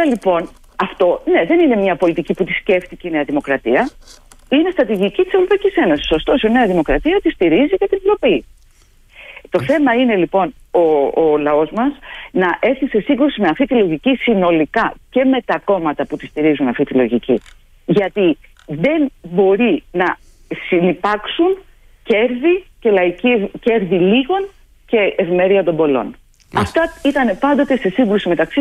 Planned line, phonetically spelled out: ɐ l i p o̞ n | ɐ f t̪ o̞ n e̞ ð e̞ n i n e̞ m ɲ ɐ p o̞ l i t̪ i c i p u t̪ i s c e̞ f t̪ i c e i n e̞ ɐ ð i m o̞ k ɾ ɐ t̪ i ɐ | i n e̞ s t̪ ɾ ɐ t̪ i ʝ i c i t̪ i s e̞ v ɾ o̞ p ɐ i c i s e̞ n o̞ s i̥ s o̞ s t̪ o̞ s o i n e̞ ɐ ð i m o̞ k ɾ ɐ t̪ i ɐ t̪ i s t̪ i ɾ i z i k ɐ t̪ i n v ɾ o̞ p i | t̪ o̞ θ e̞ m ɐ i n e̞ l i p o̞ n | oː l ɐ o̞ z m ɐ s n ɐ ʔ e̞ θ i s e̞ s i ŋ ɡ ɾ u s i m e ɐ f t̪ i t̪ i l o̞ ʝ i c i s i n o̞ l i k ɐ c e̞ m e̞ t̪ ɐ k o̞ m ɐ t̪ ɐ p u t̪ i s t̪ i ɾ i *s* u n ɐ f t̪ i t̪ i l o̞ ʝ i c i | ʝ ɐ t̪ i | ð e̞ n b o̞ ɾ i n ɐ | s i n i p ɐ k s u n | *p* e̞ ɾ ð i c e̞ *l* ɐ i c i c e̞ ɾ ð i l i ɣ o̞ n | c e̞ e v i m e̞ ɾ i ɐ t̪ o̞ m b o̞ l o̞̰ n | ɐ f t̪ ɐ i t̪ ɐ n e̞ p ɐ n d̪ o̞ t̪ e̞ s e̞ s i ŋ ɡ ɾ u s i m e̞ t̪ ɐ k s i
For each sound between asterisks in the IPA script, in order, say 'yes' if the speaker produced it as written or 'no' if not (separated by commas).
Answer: no, no, yes